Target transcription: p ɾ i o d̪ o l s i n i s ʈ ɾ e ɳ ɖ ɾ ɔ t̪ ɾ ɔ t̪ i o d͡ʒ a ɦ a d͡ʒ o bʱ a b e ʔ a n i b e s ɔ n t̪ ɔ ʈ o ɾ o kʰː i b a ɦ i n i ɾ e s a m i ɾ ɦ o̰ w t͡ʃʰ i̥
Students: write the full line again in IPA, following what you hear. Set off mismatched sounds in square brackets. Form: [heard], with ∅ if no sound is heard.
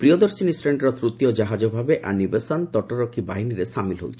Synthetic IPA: p ɾ i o d̪ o [ɾ] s i n i s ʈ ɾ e ɳ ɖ ɾ ɔ t̪ ɾ [u] t̪ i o d͡ʒ a ɦ a d͡ʒ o bʱ a b e ʔ a n i b e s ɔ n t̪ ɔ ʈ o ɾ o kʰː i b a ɦ i n i ɾ e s a m i [l] ɦ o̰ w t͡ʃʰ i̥